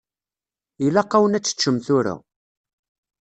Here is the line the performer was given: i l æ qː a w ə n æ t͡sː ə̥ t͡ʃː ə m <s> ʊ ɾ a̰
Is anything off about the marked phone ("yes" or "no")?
yes